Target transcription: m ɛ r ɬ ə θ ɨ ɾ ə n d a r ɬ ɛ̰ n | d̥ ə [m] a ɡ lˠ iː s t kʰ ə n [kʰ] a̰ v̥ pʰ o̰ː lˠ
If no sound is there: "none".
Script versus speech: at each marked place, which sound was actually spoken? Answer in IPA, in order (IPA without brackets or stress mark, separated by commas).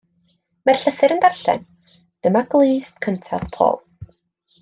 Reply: m, tʰ